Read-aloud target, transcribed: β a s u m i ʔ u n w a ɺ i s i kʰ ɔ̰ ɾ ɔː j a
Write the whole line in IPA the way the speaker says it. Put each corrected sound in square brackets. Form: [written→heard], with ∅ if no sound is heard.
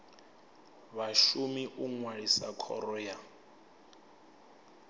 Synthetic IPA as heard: β a [s→ʃ] u m i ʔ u [n→ŋ] w a ɺ i s [i→a] kʰ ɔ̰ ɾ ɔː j a

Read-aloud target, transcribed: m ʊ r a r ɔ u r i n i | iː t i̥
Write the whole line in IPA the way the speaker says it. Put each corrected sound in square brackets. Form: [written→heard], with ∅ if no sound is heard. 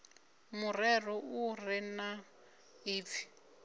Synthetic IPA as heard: m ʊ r [a→ɛ] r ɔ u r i n [i→a] | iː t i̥

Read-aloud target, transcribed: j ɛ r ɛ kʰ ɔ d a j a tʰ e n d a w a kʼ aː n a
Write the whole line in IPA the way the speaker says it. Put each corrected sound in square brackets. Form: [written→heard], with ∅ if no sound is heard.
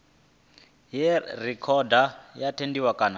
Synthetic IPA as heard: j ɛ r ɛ kʰ ɔ d a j a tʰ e n d [a→i] w a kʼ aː n a

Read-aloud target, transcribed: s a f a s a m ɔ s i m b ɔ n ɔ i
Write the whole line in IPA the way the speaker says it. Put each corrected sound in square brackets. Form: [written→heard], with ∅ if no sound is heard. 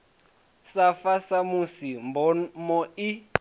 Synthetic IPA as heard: s a f a s a m [ɔ→u] s i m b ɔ [n→m] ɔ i

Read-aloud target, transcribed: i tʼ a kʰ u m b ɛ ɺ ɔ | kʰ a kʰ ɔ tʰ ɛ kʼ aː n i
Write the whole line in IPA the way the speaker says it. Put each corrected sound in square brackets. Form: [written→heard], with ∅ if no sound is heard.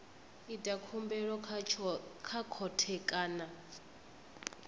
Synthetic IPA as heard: i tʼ a kʰ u m b ɛ ɺ ɔ | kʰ a kʰ ɔ tʰ ɛ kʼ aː n [i→a]

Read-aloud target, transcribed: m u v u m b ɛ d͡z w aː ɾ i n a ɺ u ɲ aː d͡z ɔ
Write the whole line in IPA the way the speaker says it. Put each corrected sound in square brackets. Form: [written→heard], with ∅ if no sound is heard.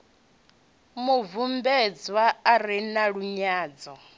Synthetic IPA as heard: m u v u m b ɛ d͡z w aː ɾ i n a ɺ u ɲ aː d͡z ɔ

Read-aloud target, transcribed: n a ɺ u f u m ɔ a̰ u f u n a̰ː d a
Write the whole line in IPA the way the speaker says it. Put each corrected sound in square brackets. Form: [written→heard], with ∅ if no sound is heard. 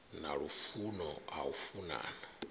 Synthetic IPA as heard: n a ɺ u f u [m→n] ɔ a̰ u f u n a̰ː [d→n] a

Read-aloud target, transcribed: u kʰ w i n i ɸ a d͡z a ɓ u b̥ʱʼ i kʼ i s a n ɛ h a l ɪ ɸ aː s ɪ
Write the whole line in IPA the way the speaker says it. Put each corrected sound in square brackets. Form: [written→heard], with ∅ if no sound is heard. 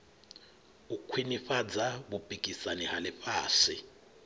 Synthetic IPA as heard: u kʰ w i n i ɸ a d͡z a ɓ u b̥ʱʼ i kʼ i s a n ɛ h a l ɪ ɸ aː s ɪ

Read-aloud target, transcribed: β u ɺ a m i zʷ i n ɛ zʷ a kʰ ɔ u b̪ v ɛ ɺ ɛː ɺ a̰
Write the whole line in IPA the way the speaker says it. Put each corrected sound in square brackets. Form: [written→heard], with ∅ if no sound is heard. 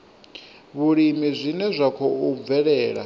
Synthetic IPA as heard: β u ɺ [a→i] m i zʷ i n ɛ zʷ a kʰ ɔ u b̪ v ɛ ɺ ɛː ɺ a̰

